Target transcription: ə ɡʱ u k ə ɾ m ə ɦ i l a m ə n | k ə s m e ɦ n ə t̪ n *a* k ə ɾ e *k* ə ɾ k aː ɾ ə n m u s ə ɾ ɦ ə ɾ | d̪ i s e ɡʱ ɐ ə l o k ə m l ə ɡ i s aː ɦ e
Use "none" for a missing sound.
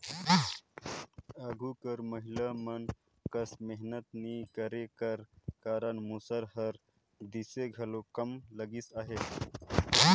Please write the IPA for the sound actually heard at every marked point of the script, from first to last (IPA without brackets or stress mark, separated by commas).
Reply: i, k